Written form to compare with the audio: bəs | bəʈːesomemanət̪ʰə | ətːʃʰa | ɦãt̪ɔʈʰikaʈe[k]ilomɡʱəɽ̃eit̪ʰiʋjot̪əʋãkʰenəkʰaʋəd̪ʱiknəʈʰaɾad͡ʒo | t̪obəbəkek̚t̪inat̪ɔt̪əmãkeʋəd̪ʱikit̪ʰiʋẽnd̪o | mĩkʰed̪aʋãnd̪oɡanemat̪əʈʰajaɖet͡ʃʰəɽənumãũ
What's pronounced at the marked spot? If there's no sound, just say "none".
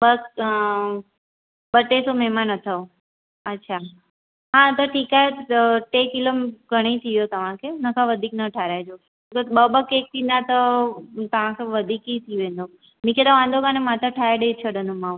k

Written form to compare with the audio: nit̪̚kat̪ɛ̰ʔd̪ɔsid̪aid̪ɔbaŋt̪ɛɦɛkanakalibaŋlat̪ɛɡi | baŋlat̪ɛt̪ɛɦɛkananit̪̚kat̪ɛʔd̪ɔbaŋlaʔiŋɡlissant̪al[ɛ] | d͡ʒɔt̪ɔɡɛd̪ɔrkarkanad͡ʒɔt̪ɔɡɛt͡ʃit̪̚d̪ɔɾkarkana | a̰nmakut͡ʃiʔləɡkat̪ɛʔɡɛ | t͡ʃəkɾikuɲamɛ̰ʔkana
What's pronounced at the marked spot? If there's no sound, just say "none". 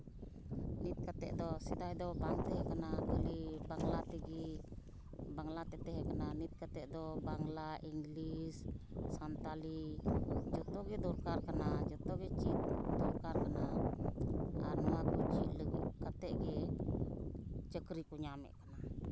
i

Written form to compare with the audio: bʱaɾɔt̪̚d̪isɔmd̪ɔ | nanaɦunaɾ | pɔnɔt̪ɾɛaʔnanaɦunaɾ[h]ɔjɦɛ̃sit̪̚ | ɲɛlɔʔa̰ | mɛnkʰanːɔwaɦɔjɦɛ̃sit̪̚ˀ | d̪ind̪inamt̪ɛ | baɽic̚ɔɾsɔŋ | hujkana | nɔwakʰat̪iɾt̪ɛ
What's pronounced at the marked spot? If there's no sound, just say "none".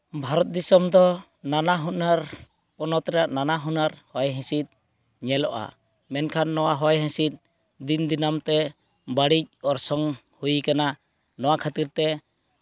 h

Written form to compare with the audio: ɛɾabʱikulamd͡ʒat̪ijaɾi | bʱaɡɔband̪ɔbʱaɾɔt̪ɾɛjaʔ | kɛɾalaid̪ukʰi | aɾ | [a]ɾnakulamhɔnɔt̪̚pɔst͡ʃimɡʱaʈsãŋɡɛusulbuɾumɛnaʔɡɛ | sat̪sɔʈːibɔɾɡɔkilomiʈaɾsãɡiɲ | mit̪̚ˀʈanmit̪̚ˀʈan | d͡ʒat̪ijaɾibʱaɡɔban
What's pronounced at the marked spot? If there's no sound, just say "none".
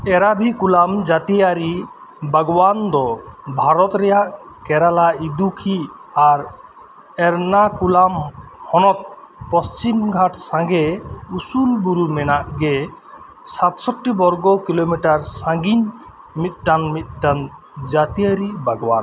ɛ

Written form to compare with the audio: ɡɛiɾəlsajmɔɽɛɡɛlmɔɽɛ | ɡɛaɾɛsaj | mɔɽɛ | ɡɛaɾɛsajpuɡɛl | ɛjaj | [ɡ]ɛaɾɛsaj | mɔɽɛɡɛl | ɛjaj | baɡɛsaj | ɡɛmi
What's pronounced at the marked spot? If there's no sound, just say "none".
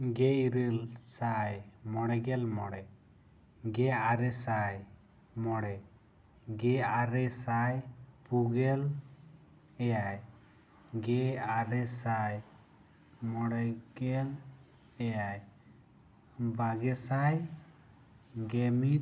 ɡ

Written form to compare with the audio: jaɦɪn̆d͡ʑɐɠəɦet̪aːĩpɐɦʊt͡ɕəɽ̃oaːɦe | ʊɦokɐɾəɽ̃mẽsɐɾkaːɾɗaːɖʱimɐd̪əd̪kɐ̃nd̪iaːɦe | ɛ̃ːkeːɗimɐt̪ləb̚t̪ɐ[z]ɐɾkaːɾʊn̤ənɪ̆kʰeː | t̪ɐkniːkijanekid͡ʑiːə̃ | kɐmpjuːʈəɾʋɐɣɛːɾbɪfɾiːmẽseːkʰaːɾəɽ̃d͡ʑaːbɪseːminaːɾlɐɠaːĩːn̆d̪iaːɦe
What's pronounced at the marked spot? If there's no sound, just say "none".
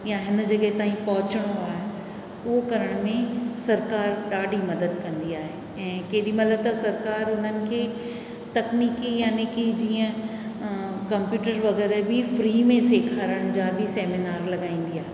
s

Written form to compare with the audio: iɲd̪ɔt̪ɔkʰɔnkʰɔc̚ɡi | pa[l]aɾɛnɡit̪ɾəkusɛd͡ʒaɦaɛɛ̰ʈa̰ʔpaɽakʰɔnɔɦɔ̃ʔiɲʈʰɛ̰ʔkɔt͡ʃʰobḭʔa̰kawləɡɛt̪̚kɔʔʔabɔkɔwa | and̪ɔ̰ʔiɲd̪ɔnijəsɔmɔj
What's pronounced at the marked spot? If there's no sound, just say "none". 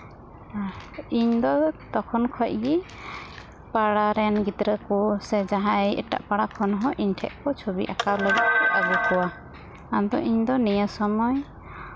ɽ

